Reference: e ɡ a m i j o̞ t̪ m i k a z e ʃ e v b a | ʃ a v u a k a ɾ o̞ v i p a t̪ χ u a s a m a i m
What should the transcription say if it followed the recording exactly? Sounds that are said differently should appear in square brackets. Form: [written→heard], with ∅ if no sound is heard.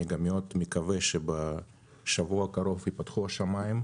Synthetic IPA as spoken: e ɡ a m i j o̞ t̪ m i k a [z→v] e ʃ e [v→∅] b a | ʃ a v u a k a ɾ o̞ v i p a t̪ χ u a [s→ʃ] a m a i m